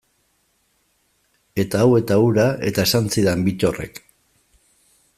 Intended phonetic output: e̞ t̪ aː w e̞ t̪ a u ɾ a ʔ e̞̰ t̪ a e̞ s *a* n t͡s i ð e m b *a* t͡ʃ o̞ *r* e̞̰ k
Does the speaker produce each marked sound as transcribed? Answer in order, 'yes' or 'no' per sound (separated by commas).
yes, no, yes